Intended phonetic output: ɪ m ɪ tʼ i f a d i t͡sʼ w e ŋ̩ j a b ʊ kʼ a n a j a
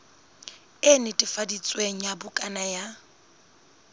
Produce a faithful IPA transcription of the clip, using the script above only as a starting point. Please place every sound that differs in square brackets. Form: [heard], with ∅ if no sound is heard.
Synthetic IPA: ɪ [n] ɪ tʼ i f a d i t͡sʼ w e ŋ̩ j a b ʊ kʼ a n a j a